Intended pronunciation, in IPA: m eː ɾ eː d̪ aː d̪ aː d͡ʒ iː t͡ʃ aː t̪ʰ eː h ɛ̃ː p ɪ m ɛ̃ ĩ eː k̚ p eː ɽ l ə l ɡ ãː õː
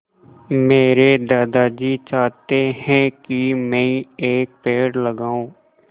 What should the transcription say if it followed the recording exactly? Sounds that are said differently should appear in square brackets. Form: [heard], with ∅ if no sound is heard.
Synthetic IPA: m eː ɾ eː d̪ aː d̪ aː d͡ʒ iː t͡ʃ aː [t̪] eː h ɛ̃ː [k] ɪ m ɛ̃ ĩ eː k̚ p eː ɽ l ə [∅] ɡ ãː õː

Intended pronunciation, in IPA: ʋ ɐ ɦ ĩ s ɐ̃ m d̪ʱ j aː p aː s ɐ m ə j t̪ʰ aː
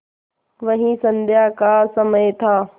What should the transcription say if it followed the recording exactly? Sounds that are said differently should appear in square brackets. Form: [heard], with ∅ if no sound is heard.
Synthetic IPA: ʋ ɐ ɦ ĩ s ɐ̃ [n] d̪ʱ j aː [k] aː s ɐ m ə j t̪ʰ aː

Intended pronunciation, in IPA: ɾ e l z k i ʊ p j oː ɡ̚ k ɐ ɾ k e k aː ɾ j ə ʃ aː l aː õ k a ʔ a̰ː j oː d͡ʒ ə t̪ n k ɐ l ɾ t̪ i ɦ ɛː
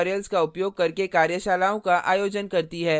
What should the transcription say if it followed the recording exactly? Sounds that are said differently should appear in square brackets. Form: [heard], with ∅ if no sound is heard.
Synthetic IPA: ɾ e l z k [a] ʊ p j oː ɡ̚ k ɐ ɾ k e k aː ɾ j ə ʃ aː l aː õ k a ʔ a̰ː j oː d͡ʒ ə [∅] n k ɐ [∅] ɾ t̪ i ɦ ɛː

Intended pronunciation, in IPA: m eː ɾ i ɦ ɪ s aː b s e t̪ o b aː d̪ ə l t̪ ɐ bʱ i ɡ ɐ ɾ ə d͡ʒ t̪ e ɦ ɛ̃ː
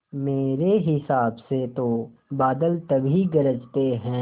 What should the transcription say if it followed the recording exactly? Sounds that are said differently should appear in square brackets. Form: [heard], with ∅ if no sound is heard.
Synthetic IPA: m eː ɾ [e] ɦ ɪ s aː b s e t̪ o b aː d̪ ə l t̪ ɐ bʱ i ɡ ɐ ɾ ə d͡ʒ t̪ e ɦ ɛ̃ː

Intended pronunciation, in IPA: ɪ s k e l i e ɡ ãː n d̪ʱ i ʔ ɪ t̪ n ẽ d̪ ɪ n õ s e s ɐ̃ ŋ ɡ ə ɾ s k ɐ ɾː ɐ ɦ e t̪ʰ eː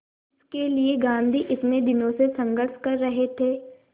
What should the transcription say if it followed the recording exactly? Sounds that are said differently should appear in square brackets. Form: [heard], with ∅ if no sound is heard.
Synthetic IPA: ɪ s k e l i e ɡ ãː n d̪ʱ i ʔ ɪ t̪ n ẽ d̪ ɪ n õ s e s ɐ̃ ŋ ɡ ə ɾ [ʃ] k ɐ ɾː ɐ ɦ e t̪ʰ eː

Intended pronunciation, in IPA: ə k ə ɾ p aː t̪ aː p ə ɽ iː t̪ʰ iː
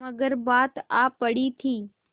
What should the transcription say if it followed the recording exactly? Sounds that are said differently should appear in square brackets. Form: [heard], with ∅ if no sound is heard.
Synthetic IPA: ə [ɡ] ə ɾ [b] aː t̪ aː p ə ɽ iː t̪ʰ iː

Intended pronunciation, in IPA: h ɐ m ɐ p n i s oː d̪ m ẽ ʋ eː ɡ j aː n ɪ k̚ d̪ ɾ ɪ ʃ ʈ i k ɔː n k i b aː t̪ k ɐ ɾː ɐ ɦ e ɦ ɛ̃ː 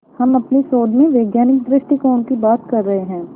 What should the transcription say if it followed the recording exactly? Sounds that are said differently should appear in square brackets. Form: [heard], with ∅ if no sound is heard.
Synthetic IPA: h ɐ m ɐ p n i s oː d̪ m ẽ ʋ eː ɡ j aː n ɪ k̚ d̪ ɾ ɪ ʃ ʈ i k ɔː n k i b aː t̪ k ɐ ɾː ɐ ɦ e ɦ ɛ̃ː

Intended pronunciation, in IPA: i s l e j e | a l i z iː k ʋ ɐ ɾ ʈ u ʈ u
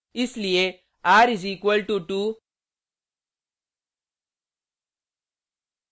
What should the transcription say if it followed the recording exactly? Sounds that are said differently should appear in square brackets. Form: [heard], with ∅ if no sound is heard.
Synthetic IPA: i s l [i] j e | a [ɾ] i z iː k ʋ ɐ [l] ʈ u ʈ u

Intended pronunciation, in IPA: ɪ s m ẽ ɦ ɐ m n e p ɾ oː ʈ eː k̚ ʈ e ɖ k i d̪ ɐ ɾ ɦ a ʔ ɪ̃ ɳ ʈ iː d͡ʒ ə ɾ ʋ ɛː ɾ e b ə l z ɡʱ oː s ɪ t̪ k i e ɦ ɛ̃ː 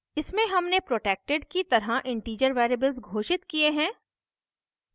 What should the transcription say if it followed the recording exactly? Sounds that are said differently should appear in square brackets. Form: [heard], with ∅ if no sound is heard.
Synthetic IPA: ɪ s m ẽ ɦ ɐ m n e p ɾ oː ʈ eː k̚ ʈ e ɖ k i [t̪] ɐ ɾ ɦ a ʔ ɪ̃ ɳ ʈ iː d͡ʒ ə ɾ ʋ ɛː ɾ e b ə l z ɡʱ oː [ʃ] ɪ t̪ k i e ɦ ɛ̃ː

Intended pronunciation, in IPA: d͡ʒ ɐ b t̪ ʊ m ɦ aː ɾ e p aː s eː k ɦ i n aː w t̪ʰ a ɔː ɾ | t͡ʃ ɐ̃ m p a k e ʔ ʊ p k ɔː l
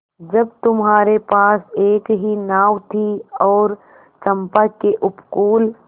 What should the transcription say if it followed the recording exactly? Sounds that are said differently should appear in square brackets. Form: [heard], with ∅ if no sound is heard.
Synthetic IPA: d͡ʒ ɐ b t̪ ʊ m ɦ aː ɾ e p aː s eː k ɦ i n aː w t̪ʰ [i] ɔː ɾ | t͡ʃ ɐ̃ m p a k e ʔ ʊ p k [uː] l

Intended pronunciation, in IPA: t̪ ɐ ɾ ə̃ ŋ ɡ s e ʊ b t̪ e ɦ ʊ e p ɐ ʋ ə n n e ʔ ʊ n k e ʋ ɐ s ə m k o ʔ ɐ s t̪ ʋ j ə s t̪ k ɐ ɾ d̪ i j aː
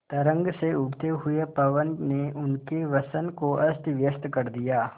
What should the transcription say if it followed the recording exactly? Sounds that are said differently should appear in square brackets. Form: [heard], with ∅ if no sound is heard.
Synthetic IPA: t̪ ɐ ɾ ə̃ ŋ ɡ s e ʊ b t̪ e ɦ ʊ e p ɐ ʋ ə n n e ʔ ʊ n k e ʋ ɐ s ə [n] k o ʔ ɐ s t̪ ʋ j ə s t̪ k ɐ ɾ d̪ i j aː

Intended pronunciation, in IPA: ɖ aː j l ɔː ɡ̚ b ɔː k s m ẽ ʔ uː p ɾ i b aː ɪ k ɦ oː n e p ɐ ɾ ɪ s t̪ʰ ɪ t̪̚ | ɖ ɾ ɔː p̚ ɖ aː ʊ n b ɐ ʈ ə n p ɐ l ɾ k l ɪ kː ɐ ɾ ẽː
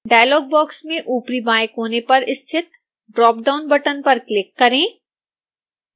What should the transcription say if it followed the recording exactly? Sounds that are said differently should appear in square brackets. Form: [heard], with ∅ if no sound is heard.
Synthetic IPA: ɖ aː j l ɔː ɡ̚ b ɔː k s m ẽ ʔ uː p ɾ i b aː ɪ k ɦ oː n e p ɐ ɾ ɪ s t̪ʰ ɪ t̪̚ | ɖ ɾ ɔː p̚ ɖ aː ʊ n b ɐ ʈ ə n p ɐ [∅] ɾ k l ɪ kː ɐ ɾ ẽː

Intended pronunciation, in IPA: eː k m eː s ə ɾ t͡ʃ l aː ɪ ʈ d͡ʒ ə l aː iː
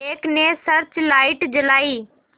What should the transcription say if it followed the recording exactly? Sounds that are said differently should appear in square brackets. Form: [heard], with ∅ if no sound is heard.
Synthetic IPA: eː k [n] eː s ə ɾ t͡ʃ l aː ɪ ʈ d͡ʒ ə l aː iː

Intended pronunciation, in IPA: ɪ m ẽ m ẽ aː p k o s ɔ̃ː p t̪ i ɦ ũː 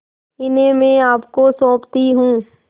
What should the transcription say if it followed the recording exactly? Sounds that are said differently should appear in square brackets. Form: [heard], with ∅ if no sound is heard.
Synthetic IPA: ɪ [n] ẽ m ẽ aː p k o s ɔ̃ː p t̪ i ɦ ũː

